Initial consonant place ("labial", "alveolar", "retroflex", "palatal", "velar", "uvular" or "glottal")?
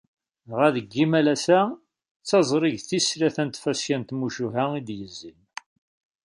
uvular